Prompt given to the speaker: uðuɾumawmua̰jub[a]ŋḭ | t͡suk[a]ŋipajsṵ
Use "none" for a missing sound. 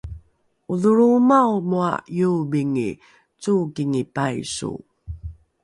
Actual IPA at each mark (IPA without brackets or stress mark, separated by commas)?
i, i